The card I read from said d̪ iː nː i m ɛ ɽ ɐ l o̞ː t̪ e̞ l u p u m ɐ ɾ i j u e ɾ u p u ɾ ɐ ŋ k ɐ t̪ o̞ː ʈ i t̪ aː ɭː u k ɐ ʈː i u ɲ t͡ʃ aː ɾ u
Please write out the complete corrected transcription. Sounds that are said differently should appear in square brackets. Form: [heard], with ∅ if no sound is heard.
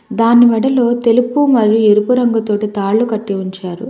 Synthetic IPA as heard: d̪ [aː] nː i m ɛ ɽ ɐ l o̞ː t̪ e̞ l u p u m ɐ ɾ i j u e ɾ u p u ɾ ɐ ŋ [ɡ] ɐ t̪ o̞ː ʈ i t̪ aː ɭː u k ɐ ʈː i u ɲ t͡ʃ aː ɾ u